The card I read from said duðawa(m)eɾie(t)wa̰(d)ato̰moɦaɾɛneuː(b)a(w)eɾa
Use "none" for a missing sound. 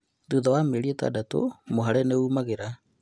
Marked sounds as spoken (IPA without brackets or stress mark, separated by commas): m, t, d, m, ɣ